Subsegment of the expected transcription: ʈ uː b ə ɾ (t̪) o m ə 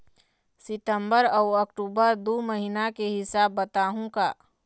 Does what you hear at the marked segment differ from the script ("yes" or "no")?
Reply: yes